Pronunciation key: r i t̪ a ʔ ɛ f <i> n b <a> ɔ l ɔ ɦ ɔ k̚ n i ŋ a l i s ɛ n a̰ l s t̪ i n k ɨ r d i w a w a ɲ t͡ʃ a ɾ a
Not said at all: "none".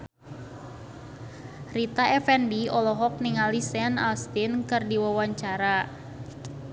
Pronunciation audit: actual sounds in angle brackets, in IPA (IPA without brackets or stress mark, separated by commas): ɛ, i